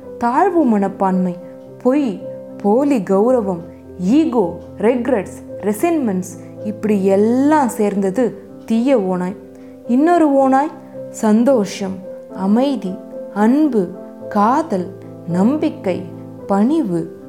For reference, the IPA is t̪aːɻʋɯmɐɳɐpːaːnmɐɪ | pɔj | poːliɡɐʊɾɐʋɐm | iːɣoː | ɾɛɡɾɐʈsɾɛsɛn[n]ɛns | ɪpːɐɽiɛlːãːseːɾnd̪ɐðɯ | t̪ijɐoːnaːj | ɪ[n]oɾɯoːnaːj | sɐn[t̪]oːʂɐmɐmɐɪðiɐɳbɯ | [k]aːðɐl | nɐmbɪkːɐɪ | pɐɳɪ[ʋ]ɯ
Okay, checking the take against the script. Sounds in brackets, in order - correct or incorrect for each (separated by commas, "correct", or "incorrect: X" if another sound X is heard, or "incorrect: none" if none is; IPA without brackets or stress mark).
incorrect: m, incorrect: nː, incorrect: d̪, correct, correct